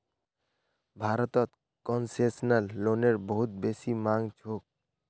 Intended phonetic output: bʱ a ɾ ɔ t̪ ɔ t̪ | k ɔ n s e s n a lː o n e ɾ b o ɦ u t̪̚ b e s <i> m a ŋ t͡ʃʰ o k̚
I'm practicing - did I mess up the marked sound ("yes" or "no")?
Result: no